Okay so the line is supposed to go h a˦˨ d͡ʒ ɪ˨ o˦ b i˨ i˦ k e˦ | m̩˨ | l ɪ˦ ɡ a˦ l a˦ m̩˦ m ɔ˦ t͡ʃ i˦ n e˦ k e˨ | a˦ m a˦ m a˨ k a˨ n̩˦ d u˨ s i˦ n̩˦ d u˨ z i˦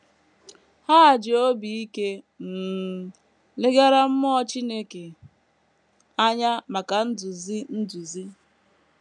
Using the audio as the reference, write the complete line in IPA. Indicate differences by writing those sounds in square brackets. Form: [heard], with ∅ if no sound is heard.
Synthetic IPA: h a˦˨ d͡ʒ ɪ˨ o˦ b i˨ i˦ k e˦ | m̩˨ | l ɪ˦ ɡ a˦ [ɾ] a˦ m̩˦ m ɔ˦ t͡ʃ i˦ n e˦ k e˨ | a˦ [ɲ] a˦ m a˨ k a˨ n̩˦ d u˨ [z] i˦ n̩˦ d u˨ z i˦